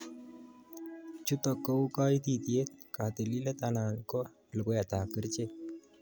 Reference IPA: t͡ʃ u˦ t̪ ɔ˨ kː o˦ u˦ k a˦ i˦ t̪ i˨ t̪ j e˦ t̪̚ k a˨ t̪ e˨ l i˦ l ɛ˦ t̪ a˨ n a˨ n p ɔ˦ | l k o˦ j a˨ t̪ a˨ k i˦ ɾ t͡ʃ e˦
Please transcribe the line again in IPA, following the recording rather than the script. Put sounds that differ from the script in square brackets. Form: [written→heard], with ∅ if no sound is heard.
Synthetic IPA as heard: t͡ʃ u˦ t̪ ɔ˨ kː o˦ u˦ k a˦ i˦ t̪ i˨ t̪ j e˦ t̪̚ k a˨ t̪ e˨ l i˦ l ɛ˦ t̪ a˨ n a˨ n [p→k] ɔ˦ | l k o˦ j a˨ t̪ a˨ k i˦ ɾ t͡ʃ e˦